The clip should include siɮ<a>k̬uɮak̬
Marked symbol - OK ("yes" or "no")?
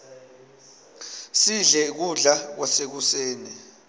no